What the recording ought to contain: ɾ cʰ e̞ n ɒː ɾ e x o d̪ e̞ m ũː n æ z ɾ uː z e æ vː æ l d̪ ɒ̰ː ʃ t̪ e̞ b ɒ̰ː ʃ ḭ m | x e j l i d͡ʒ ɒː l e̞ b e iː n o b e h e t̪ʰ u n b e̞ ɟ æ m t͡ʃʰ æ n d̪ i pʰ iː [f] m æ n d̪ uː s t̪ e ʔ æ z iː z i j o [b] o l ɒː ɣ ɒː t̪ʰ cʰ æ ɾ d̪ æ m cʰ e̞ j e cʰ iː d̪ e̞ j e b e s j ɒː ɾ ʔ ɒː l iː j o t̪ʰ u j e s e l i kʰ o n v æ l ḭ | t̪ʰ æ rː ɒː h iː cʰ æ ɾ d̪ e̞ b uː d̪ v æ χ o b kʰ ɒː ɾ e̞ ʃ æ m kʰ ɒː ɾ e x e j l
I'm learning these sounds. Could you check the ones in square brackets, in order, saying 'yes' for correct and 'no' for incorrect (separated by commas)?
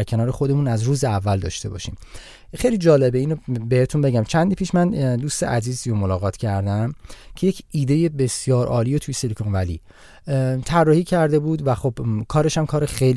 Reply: no, no